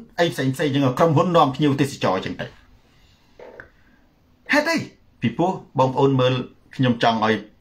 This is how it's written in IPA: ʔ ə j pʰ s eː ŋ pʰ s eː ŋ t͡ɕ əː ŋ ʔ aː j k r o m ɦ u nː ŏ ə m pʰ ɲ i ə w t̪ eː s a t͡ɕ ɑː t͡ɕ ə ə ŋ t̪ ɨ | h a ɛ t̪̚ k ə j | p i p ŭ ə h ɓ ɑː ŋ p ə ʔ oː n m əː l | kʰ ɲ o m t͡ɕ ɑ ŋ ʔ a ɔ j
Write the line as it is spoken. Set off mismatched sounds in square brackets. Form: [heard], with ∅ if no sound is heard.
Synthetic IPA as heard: ʔ ə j pʰ s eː ŋ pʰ s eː ŋ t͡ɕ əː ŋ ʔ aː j k r o m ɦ u nː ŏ ə m pʰ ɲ i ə w t̪ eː s a t͡ɕ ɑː t͡ɕ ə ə ŋ t̪ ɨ | h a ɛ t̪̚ [ʔ] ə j | p i p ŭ ə h ɓ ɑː ŋ p ə ʔ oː n m əː l | kʰ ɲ o m t͡ɕ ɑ ŋ ʔ a ɔ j